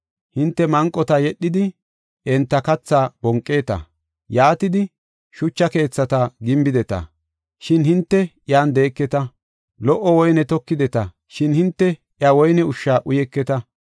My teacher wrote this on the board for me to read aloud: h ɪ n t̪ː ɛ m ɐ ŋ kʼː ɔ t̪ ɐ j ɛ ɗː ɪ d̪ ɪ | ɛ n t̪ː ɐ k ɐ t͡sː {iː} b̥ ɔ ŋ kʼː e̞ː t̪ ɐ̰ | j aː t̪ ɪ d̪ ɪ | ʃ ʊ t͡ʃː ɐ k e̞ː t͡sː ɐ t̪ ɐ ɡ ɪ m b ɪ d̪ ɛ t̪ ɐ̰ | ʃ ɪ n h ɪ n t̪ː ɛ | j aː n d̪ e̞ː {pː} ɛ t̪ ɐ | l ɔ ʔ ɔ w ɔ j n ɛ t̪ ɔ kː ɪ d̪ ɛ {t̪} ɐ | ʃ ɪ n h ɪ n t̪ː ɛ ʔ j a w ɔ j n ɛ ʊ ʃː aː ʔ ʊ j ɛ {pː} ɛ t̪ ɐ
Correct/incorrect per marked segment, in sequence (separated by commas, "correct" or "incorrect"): incorrect, incorrect, correct, incorrect